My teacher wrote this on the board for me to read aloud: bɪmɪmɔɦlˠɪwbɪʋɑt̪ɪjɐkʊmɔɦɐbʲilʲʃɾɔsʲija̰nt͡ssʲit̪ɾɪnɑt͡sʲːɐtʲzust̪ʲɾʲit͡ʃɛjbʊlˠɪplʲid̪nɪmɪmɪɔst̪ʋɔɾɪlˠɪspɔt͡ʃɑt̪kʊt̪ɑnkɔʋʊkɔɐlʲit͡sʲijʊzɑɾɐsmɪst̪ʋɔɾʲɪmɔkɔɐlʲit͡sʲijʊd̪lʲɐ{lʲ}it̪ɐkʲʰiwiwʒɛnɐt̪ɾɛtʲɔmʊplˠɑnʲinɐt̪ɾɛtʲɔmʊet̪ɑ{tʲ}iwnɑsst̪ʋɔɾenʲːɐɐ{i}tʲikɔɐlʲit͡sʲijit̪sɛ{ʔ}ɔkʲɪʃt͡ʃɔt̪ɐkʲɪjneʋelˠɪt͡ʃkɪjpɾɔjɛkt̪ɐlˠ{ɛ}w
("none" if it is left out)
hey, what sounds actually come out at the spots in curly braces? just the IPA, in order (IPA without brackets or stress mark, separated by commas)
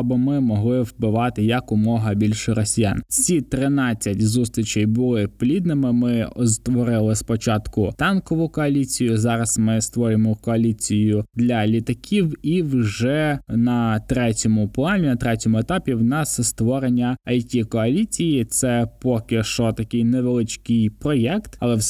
lʲ, pʲ, j, p, ɛ